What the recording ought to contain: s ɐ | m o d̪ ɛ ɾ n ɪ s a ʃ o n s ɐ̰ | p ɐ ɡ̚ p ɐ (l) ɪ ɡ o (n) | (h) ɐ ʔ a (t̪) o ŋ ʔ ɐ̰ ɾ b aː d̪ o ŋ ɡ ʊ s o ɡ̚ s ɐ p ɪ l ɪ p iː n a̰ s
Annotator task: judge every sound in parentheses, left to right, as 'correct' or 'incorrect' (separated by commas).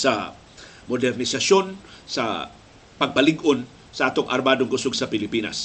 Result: correct, correct, incorrect, correct